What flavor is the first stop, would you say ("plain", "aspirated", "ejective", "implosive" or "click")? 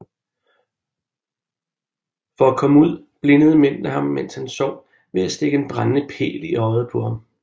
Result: aspirated